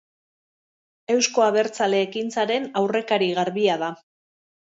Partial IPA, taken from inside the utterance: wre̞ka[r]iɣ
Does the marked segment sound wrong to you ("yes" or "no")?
yes